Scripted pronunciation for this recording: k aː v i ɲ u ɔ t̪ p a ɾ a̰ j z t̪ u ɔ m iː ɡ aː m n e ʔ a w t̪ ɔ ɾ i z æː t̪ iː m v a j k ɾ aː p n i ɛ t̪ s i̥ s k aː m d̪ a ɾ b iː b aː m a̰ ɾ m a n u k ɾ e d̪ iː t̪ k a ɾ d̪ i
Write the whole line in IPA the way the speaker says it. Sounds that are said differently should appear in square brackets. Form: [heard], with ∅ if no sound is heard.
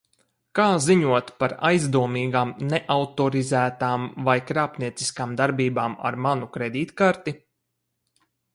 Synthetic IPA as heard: k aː [z] i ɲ u ɔ t̪ p a ɾ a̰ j z [d̪] u ɔ m iː ɡ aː m n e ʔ a w t̪ ɔ ɾ i z æː t̪ [aː] m v a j k ɾ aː p n i ɛ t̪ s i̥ s k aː m d̪ a ɾ b iː b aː m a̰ ɾ m a n u k ɾ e d̪ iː t̪ k a ɾ [t̪] i